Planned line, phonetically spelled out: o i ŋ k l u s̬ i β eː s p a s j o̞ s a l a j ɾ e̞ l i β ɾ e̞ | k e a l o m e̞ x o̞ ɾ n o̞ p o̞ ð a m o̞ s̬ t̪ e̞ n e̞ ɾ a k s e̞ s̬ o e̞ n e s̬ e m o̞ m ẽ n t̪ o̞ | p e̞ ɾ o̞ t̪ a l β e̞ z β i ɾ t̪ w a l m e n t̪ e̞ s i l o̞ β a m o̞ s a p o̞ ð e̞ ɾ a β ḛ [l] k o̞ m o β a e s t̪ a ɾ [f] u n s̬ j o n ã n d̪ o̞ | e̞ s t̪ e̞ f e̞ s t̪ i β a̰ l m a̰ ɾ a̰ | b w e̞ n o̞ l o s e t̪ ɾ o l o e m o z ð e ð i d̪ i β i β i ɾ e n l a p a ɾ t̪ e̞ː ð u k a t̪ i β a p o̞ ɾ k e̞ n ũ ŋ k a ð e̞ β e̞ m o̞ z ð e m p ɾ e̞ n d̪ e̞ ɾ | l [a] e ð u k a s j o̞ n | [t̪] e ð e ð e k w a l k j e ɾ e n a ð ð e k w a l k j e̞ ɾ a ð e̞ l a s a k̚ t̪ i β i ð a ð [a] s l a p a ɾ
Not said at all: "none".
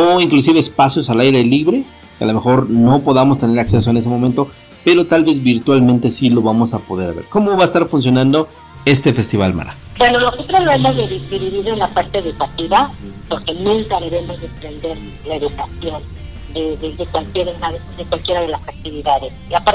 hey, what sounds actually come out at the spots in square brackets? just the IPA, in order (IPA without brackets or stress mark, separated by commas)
ɾ, f, a, d̪, e